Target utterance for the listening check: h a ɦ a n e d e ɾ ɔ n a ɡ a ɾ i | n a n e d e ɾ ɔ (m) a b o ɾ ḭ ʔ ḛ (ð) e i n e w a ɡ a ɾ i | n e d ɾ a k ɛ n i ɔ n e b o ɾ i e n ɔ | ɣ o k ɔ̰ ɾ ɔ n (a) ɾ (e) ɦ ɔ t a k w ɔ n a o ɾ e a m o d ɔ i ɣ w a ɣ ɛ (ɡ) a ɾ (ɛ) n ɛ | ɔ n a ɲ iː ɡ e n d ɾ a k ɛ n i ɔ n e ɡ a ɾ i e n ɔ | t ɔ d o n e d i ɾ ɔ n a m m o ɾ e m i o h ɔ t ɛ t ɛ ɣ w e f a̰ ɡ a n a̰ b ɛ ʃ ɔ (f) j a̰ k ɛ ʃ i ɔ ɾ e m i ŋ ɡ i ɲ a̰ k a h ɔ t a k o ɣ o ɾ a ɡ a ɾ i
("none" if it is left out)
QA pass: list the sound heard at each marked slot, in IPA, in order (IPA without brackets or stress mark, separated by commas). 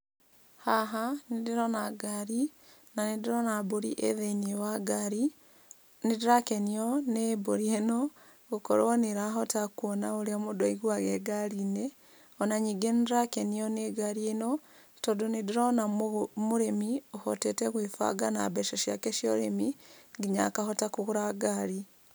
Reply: n, ð, e, a, ɡ, i, ʃ